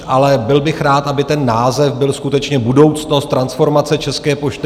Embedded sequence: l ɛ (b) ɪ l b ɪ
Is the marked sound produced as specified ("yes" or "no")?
yes